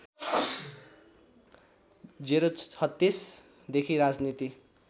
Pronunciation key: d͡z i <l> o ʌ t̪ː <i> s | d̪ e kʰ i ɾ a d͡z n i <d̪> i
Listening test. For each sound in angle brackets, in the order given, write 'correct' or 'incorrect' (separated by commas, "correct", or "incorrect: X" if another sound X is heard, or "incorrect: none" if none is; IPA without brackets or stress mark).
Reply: incorrect: ɾ, correct, incorrect: t̪